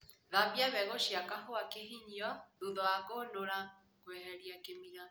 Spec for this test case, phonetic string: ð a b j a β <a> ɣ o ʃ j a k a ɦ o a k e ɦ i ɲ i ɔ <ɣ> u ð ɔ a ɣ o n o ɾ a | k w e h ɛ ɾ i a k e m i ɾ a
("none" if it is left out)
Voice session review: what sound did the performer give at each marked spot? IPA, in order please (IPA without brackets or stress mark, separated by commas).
ɛ, ð